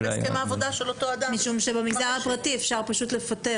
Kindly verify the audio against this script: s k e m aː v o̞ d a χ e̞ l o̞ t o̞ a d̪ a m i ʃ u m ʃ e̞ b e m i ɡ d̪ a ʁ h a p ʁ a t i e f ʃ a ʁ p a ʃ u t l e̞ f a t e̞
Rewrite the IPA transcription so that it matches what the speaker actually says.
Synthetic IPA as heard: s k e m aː v o̞ d a ʃ e̞ l o̞ t o̞ a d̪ a m i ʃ u m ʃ e̞ b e m i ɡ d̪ a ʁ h a p ʁ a t i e f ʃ a ʁ p a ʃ u t l e̞ f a t e̞